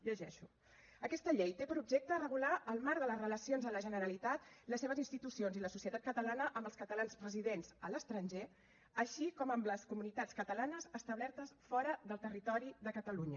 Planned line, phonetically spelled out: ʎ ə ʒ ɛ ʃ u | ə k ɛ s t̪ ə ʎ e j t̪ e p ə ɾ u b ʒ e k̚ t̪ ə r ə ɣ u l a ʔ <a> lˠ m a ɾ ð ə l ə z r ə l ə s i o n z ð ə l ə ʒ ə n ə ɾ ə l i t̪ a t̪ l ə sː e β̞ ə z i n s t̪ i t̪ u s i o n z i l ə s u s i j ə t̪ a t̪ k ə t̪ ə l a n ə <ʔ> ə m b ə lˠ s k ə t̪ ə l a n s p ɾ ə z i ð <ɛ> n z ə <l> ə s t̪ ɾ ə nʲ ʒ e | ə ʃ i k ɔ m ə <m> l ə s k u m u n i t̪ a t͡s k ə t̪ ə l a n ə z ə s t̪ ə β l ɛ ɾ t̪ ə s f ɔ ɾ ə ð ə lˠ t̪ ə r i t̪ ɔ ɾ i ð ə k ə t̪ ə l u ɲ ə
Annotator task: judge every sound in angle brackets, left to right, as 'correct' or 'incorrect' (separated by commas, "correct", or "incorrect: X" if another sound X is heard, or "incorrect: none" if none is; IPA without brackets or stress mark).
incorrect: ə, correct, incorrect: e, correct, correct